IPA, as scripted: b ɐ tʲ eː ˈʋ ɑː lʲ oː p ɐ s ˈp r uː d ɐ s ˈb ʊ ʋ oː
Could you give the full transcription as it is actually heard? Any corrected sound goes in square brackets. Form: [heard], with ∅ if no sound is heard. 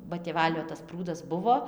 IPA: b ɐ tʲ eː ˈʋ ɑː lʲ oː [t] ɐ s ˈp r uː d ɐ s ˈb ʊ ʋ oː

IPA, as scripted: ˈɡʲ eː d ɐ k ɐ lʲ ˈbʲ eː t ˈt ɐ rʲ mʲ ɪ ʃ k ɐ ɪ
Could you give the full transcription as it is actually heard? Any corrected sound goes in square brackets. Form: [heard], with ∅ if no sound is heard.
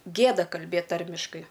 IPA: ˈɡʲ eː d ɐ k ɐ lʲ ˈbʲ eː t ˈt ɐ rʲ mʲ ɪ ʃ k ɐ ɪ

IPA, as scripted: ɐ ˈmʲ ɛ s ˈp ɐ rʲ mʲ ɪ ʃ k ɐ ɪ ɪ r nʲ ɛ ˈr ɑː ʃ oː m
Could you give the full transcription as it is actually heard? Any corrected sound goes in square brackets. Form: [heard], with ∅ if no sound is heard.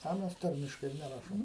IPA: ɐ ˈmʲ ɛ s [ˈt] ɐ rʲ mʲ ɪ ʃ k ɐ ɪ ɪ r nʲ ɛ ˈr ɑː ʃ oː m

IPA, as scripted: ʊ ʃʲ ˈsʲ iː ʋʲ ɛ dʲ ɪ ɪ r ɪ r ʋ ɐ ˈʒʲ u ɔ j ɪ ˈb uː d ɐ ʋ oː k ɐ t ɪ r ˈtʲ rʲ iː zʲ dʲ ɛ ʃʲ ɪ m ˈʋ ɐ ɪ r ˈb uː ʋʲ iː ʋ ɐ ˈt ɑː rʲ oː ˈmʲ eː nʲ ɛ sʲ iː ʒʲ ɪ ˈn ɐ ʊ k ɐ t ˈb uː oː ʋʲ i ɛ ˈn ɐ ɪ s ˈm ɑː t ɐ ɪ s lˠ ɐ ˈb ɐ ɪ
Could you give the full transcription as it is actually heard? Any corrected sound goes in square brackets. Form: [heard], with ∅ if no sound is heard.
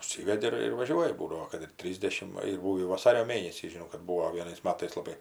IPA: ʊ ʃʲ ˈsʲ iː ʋʲ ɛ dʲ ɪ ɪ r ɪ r ʋ ɐ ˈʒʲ u ɔ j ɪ ˈb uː d ɐ ʋ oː k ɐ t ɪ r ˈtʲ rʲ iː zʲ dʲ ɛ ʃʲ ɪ m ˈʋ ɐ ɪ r ˈb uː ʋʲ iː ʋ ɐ [ˈs] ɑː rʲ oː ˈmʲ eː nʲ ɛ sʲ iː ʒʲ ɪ ˈn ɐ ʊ k ɐ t ˈb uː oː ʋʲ i ɛ ˈn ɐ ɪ s ˈm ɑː t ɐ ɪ s lˠ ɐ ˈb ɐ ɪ

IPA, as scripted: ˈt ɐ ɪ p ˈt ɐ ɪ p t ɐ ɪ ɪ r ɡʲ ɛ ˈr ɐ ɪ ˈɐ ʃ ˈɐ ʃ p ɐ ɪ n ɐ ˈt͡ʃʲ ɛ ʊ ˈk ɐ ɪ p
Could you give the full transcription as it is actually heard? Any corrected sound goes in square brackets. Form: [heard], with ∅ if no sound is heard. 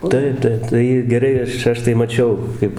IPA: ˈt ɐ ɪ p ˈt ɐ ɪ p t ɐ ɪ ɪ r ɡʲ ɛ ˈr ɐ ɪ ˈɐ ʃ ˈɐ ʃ [t] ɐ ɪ [m] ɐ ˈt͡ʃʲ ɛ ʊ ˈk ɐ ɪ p

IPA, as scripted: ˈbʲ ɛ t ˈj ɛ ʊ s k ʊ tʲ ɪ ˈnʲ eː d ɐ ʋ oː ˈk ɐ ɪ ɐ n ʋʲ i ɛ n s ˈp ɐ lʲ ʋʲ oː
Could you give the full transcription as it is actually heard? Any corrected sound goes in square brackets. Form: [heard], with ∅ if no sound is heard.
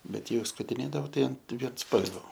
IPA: ˈbʲ ɛ t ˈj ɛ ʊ s k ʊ tʲ ɪ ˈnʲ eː d ɐ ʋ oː [ˈt] ɐ ɪ ɐ n ʋʲ i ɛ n s ˈp ɐ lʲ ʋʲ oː

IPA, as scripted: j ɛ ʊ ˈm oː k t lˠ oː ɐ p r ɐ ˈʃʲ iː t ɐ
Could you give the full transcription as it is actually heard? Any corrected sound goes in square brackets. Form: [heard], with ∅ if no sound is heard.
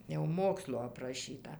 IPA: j ɛ ʊ ˈm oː k [s] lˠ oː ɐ p r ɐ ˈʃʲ iː t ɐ

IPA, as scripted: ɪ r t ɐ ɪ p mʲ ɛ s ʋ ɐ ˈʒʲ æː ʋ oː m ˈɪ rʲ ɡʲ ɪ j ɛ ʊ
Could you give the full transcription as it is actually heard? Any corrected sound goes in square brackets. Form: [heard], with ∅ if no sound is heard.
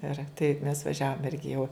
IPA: ɪ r t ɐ ɪ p mʲ ɛ s ʋ ɐ ˈʒʲ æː ʋ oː m ˈɪ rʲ ɡʲ ɪ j ɛ ʊ

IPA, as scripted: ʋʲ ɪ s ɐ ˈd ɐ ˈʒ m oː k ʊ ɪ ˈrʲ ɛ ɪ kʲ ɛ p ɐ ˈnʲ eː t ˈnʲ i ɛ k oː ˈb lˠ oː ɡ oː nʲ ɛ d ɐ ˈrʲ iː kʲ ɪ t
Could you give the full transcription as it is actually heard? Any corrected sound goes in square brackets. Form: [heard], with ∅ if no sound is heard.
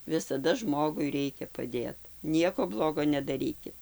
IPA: ʋʲ ɪ s ɐ ˈd ɐ ˈʒ m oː [ɡ] ʊ ɪ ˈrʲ ɛ ɪ kʲ ɛ p ɐ [ˈdʲ] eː t ˈnʲ i ɛ k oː ˈb lˠ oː ɡ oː nʲ ɛ d ɐ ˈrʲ iː kʲ ɪ t

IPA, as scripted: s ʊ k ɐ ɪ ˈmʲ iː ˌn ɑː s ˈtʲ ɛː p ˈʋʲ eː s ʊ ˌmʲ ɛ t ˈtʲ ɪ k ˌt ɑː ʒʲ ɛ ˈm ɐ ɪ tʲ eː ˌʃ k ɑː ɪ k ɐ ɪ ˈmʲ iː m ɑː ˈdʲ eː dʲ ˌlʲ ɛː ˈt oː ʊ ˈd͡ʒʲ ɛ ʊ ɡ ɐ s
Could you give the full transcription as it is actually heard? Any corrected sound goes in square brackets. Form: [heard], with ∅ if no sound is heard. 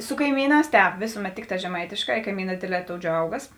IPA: s ʊ k ɐ ɪ ˈmʲ iː ˌn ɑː s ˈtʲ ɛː p ˈʋʲ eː s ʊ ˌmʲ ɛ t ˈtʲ ɪ k ˌt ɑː ʒʲ ɛ ˈm ɐ ɪ tʲ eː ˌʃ k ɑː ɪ k ɐ ɪ ˈmʲ iː [n] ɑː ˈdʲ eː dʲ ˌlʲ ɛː ˈt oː ʊ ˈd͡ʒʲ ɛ ʊ ɡ ɐ s

